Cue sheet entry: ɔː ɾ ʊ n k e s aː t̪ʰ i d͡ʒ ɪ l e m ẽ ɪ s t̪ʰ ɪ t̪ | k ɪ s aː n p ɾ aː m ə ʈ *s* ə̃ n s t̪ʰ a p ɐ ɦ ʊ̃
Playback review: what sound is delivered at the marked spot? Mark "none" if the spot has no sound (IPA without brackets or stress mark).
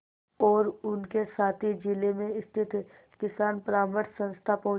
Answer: s